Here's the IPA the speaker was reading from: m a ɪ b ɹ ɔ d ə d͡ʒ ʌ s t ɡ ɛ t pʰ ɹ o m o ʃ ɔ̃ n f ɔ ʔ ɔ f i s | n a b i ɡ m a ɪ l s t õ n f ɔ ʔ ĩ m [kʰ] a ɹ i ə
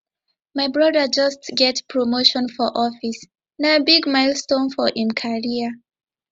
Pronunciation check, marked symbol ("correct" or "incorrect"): correct